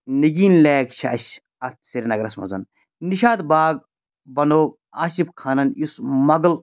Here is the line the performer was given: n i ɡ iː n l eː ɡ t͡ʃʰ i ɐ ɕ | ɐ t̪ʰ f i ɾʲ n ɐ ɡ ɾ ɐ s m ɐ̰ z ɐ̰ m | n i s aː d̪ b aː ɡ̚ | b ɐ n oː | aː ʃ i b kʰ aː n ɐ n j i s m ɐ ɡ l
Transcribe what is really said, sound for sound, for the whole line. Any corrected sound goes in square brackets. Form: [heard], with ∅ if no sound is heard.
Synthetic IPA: n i ɡ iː n l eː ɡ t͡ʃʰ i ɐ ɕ | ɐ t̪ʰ [s] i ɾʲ n ɐ ɡ ɾ ɐ s m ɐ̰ z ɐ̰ [n] | n i [ʃ] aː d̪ b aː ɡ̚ | b ɐ n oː | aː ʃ i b kʰ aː n ɐ n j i s m ɐ ɡ l

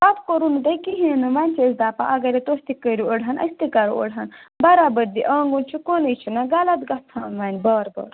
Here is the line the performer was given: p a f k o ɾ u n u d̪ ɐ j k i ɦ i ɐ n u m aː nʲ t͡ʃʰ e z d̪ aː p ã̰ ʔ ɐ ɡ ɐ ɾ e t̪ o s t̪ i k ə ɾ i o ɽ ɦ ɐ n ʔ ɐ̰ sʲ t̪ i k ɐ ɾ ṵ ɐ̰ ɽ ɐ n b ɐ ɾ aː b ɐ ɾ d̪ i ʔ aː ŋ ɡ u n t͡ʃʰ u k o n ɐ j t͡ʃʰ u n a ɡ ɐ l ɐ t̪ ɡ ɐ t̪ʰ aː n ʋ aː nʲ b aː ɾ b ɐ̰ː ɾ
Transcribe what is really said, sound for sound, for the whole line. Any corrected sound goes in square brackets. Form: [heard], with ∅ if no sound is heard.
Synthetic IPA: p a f k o ɾ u n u d̪ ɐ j k i ɦ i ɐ n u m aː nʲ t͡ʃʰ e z d̪ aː p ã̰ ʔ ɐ ɡ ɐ ɾ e t̪ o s t̪ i k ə ɾ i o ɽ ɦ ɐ n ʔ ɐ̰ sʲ t̪ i k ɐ ɾ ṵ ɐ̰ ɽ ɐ n b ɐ ɾ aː b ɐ ɾ d̪ i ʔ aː ŋ ɡ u n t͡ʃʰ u k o n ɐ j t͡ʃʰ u n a ɡ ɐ l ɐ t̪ ɡ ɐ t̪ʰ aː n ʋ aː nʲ b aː ɾ b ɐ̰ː ɾ

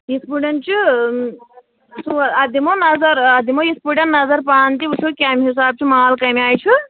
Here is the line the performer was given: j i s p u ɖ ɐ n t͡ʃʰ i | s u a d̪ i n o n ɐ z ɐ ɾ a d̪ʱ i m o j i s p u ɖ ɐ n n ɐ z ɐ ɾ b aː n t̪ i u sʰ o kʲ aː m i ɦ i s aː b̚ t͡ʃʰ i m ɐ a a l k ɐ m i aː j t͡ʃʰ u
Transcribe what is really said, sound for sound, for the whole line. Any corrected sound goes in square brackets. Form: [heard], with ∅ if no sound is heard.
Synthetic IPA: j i s p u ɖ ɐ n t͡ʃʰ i | s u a d̪ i [m] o n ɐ z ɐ ɾ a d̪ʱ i m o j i s p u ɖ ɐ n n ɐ z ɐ ɾ [p] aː n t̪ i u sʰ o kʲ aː m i ɦ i s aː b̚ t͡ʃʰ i m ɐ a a l k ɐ m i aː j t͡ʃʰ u

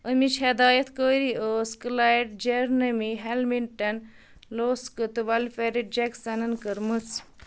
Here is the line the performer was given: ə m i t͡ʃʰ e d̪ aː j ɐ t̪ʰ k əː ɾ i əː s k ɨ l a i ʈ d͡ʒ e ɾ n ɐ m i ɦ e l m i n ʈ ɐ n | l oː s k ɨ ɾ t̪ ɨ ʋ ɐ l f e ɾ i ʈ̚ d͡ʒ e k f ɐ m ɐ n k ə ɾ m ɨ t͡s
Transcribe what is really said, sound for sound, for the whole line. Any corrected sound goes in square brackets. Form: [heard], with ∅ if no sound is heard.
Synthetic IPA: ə m i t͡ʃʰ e d̪ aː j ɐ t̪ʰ k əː ɾ i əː s k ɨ l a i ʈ d͡ʒ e ɾ n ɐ m i ɦ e l m i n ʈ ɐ n | l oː s k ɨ [∅] t̪ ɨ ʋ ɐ l f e ɾ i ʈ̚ d͡ʒ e k [s] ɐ [n] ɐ n k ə ɾ m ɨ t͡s

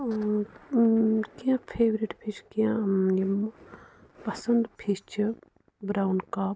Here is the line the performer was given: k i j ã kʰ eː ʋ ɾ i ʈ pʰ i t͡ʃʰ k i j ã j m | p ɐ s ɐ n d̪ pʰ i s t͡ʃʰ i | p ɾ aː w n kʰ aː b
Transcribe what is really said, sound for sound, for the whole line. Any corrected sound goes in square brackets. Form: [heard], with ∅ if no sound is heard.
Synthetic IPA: k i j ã [pʰ] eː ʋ ɾ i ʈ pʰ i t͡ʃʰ k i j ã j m | p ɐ s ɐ n d̪ pʰ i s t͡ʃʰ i | [b] ɾ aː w n [k] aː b

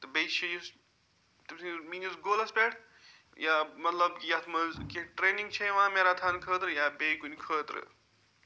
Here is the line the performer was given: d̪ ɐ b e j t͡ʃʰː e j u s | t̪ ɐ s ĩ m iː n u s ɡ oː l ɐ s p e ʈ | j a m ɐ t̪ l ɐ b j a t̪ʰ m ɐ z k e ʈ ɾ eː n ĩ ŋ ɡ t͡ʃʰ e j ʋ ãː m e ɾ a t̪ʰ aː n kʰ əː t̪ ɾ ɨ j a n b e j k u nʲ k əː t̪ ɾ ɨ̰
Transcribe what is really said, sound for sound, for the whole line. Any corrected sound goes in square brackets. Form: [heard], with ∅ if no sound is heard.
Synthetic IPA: [t̪] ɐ b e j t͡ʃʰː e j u s | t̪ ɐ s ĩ m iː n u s ɡ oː l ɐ s p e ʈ | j a m ɐ t̪ l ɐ b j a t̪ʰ m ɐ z k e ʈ ɾ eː n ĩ ŋ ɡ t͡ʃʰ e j ʋ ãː m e ɾ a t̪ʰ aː n kʰ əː t̪ ɾ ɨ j a [∅] b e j k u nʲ [kʰ] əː t̪ ɾ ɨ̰

